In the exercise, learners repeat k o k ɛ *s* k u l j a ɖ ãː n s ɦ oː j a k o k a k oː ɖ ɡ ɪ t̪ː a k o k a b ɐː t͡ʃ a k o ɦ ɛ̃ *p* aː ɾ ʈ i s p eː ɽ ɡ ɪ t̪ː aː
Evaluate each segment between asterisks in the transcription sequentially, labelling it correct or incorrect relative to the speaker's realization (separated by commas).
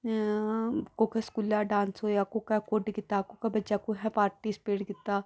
correct, correct